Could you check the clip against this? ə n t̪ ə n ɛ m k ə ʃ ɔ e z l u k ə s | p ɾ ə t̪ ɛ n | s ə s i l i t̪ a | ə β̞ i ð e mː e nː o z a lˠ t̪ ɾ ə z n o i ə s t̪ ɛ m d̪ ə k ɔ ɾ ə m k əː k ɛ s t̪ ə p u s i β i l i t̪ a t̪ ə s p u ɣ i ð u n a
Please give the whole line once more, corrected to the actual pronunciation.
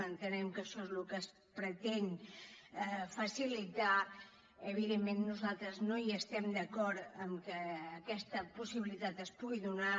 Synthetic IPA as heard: ə n t̪ ə n ɛ m k ə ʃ ɔ e z l u k ə s | p ɾ ə t̪ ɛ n | f ə s i l i t̪ a | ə β̞ i ð e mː e nː u z a lˠ t̪ ɾ ə z n o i ə s t̪ ɛ m d̪ ə k ɔ ɾ ə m k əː k ɛ s t̪ ə p u s i β i l i t̪ a t̪ ə s p u ɣ i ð u n a